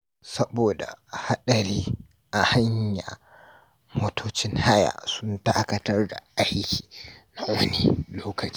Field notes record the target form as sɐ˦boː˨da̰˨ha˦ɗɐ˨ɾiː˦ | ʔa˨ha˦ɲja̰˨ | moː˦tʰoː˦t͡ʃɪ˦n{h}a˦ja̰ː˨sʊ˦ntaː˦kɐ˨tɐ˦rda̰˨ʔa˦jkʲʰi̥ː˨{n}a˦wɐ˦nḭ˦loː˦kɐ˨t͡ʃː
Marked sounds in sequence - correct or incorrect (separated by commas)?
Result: correct, correct